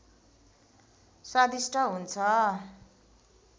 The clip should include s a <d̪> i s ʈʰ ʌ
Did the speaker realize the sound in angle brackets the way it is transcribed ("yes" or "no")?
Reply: yes